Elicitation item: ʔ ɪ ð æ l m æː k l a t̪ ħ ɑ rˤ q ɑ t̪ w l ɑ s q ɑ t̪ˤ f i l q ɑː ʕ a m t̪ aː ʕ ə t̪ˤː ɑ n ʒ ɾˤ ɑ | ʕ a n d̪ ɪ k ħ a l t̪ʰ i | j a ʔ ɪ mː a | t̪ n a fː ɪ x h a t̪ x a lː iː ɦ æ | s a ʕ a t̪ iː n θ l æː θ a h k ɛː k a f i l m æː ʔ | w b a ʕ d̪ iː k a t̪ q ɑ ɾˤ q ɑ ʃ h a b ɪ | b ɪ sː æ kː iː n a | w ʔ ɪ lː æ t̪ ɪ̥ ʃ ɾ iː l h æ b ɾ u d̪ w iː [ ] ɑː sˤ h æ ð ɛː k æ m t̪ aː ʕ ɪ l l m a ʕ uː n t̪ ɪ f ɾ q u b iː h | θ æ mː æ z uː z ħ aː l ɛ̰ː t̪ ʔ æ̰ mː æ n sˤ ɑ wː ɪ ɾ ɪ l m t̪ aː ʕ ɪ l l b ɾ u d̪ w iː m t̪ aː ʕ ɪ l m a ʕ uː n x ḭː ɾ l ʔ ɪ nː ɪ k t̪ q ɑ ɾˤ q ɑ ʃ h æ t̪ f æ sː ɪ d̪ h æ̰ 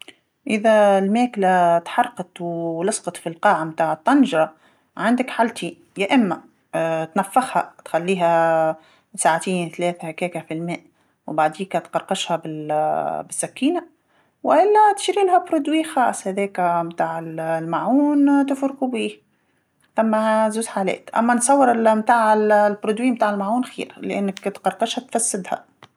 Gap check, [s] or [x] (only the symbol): x